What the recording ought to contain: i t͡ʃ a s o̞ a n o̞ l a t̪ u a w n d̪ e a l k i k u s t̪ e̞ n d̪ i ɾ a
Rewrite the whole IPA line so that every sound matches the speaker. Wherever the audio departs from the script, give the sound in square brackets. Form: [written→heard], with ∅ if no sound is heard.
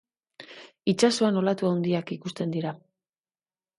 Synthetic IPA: i t͡ʃ a s o̞ a n o̞ l a t̪ u a w n d̪ [e→i] a [l→∅] k i k u s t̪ e̞ n d̪ i ɾ a